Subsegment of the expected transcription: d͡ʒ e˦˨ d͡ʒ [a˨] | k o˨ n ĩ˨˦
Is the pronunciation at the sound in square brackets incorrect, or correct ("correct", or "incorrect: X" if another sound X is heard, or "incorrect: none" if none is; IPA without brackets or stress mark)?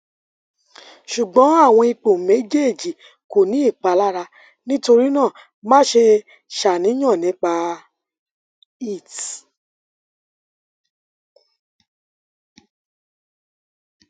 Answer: incorrect: i˨